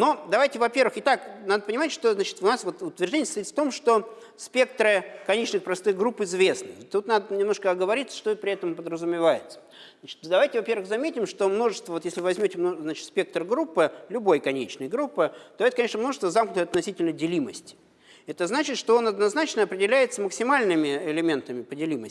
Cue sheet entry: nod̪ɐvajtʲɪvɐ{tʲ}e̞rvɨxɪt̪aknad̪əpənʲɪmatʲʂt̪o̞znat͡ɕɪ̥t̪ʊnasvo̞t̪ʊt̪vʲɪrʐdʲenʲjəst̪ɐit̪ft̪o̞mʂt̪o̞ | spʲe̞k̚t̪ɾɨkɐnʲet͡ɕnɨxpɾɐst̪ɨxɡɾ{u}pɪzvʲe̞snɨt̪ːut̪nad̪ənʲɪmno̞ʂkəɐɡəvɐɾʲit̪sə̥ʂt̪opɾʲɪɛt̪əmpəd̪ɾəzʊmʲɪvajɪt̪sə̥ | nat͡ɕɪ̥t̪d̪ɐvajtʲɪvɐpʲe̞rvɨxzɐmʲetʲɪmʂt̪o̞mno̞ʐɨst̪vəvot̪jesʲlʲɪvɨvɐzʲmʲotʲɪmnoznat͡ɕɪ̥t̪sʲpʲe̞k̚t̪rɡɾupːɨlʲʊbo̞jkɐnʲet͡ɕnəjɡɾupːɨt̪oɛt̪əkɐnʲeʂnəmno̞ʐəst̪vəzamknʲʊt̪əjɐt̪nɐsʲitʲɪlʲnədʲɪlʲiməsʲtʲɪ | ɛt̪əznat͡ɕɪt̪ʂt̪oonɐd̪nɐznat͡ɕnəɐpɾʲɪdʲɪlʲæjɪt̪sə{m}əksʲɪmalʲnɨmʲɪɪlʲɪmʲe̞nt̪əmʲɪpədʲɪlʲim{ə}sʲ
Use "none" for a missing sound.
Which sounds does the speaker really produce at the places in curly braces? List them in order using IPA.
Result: pʲ, u, m, ə

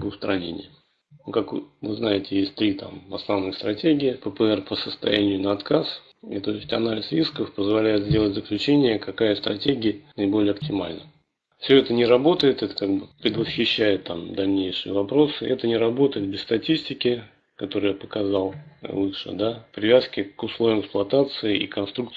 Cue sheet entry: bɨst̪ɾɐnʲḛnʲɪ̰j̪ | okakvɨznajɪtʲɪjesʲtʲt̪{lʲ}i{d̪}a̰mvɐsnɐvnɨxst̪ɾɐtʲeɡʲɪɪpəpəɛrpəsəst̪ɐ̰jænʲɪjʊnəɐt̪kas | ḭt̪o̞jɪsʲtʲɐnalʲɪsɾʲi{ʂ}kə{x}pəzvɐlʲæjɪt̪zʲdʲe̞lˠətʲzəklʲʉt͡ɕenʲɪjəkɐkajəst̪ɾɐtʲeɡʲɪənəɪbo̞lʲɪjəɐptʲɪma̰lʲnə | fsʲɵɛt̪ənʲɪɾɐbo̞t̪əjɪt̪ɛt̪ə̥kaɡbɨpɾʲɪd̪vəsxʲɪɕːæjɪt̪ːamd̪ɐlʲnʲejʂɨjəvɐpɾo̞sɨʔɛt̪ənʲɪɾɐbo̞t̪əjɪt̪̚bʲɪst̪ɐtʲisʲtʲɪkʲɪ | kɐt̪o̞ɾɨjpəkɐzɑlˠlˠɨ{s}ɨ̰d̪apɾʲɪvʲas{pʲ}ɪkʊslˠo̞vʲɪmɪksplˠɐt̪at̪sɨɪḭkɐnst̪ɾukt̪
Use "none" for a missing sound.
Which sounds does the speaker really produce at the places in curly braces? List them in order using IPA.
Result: ɾʲ, t̪, s, f, ʂ, kʲ

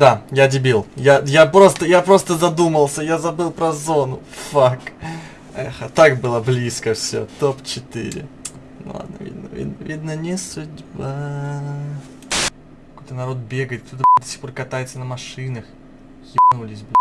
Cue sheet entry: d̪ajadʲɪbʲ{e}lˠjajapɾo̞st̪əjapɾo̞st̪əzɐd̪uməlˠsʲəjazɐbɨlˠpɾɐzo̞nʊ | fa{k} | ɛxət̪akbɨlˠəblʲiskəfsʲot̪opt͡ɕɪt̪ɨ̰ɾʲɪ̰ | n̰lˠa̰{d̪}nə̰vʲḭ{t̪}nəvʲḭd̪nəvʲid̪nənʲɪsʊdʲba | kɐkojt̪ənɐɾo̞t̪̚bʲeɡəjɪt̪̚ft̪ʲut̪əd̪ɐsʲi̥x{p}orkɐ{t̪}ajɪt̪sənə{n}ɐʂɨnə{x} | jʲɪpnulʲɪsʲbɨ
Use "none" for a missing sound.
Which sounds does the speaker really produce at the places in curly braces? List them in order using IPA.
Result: i, k, d̪, d̪, p, t̪, m, x

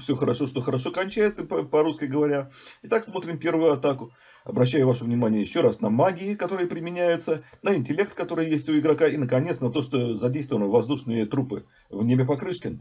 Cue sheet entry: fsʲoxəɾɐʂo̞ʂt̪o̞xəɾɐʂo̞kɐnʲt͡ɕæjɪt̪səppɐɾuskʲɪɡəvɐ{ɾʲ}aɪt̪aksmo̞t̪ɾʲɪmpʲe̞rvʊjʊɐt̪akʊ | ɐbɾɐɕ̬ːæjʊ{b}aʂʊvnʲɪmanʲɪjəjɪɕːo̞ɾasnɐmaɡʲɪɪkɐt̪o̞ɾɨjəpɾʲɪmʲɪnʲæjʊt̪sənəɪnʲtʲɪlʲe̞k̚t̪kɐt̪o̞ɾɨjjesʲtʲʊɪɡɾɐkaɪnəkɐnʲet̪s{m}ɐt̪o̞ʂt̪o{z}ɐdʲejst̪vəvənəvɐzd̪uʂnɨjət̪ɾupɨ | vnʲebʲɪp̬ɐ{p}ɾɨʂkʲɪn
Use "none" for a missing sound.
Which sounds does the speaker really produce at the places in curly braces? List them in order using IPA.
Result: ɾʲ, v, n, z, k

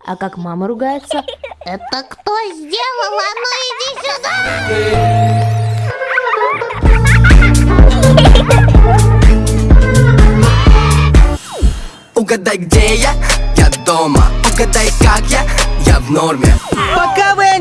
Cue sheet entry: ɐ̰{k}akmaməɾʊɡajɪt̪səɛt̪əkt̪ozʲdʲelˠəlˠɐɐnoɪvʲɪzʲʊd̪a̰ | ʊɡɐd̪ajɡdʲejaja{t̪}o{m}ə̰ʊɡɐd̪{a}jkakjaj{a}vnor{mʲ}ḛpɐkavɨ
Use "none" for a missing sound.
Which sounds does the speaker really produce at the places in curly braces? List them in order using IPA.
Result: k, d̪, m, a, a, mʲ

